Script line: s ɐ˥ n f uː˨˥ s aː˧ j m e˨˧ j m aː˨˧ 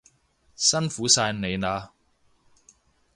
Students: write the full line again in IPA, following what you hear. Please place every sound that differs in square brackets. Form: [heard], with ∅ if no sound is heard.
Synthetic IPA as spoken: s ɐ˥ n f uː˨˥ s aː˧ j [n] e˨˧ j [n] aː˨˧